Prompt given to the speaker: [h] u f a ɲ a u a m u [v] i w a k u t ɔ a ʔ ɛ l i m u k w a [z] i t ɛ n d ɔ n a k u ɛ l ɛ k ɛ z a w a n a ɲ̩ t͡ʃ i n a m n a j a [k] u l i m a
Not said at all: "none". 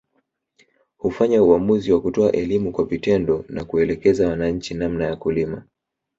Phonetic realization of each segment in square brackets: h, z, v, k

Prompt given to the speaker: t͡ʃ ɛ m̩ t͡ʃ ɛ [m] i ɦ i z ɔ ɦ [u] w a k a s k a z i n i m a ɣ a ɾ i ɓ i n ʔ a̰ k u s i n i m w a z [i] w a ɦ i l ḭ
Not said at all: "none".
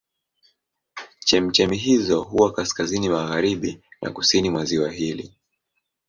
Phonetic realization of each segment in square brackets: m, u, i

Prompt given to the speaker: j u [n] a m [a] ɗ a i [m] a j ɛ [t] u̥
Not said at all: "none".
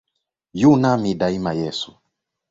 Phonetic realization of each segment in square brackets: n, i, m, s

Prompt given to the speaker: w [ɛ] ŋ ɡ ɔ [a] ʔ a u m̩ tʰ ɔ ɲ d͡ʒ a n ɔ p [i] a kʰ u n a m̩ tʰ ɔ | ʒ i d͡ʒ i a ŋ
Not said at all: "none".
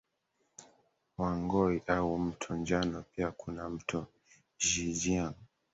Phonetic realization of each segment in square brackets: a, i, i

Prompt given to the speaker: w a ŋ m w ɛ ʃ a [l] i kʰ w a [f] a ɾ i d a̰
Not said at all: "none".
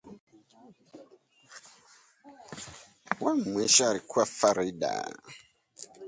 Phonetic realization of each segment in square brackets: ɾ, f

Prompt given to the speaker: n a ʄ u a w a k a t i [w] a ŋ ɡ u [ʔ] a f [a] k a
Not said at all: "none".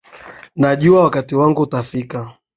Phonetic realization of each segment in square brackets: w, t, i

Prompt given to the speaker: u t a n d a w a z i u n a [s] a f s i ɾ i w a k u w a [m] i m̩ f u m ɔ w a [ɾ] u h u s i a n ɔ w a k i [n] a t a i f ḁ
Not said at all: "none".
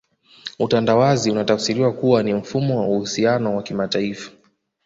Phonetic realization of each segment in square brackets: t, n, none, m

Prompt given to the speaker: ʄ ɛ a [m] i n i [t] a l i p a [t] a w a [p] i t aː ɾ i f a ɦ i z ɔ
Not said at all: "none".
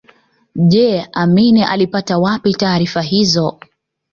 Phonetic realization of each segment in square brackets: m, ʔ, t, p

